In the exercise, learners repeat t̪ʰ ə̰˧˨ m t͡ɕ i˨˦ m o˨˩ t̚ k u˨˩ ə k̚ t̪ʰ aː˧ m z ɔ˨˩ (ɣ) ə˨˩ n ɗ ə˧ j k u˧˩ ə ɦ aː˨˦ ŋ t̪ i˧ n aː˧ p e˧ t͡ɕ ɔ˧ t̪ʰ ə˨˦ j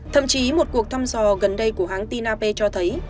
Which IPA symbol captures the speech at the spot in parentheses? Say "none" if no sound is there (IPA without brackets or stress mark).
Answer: ɣ